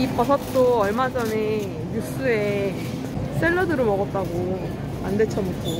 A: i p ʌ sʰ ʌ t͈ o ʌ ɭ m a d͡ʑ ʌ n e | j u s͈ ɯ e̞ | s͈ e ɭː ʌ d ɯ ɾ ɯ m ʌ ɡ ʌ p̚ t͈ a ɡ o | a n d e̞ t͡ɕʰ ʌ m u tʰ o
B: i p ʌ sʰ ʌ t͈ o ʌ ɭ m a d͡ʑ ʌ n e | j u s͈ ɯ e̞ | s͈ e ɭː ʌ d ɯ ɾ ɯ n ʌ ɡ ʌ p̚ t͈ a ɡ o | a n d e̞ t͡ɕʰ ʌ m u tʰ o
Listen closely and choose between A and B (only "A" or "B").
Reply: A